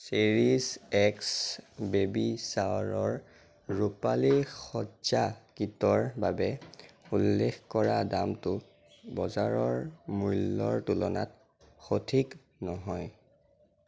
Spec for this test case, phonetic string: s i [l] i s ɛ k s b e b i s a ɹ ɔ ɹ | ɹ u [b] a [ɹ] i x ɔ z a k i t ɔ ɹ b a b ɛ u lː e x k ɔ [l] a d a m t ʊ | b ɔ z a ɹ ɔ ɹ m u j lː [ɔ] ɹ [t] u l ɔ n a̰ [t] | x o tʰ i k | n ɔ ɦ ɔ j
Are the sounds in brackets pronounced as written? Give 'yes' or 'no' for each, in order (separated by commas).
no, no, no, no, yes, yes, yes